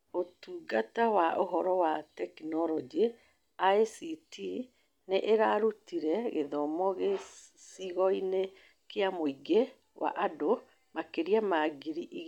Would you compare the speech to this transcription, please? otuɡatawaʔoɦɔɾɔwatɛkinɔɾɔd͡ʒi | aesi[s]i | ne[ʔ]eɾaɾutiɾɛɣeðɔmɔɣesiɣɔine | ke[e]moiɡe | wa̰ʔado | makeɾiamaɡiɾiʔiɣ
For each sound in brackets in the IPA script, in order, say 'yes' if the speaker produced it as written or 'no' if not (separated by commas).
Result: no, yes, no